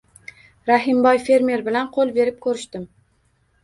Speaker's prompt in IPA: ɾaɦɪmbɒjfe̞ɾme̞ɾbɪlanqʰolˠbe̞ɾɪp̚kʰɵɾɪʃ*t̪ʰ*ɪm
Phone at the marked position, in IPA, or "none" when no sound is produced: t̪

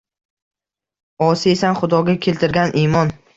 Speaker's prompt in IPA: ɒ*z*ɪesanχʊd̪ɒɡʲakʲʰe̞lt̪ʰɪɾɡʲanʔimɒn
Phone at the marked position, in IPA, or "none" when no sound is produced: s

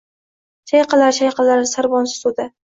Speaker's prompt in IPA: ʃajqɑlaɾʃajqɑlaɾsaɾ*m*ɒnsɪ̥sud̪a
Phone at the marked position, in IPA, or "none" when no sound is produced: b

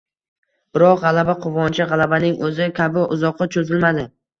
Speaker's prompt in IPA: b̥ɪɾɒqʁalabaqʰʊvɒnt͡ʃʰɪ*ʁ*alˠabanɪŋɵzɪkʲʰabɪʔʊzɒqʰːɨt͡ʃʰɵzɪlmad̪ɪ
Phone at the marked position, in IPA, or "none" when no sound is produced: ʁ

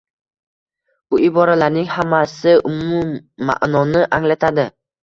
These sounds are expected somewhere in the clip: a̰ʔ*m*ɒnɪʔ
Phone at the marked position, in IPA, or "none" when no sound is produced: n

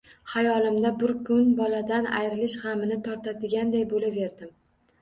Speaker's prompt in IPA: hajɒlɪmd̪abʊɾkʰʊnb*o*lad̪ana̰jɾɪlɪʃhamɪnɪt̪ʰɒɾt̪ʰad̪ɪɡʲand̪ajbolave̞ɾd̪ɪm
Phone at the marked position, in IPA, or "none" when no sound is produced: ɒ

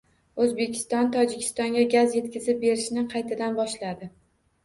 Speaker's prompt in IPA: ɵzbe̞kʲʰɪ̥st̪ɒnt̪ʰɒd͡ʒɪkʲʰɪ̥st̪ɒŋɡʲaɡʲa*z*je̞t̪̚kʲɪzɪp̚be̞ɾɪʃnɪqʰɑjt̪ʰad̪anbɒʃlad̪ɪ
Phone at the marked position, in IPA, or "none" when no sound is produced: z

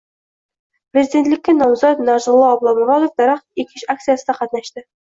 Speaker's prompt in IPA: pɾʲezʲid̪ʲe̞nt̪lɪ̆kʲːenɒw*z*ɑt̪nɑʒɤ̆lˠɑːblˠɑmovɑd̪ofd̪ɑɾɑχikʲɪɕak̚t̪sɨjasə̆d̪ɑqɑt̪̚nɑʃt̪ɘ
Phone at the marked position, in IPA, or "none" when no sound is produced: z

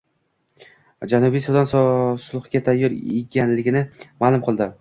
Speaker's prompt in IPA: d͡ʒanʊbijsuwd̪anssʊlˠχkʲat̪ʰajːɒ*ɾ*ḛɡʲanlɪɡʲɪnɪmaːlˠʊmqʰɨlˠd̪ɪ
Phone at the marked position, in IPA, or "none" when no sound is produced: ɾ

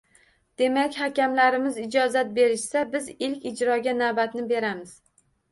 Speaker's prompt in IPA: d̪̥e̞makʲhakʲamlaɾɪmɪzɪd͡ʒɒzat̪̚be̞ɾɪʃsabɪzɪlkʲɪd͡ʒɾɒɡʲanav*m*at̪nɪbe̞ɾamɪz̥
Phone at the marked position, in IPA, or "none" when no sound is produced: b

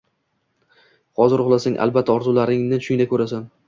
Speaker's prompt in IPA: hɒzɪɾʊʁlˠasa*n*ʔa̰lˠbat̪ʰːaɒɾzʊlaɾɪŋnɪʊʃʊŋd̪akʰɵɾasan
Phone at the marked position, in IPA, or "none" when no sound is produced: ŋ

